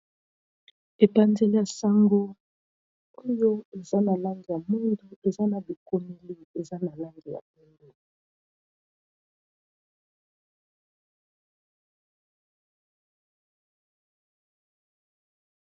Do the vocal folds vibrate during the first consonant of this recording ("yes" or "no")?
no